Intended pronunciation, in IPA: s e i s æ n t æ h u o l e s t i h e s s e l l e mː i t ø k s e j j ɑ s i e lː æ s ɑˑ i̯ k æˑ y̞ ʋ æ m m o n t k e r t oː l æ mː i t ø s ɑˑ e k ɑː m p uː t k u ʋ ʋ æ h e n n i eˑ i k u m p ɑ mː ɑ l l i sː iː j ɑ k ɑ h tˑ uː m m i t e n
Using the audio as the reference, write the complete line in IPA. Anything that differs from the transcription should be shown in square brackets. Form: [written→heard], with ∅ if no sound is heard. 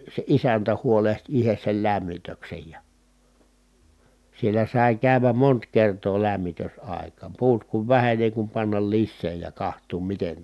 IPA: s e i s æ n t æ h u o l e [s→h] t i h e s s e l l [e→æ] mː i t ø k s e j j ɑ s i e lː æ s ɑˑ i̯ k æˑ y̞ ʋ æ m m o n t k e r t oː l æ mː i t ø s ɑˑ e k ɑː m p uː t k u ʋ ʋ æ h e n n i eˑ i k u m p ɑ [mː→nː] ɑ l l i sː [iː→eː] j ɑ k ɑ h tˑ uː m m i t e n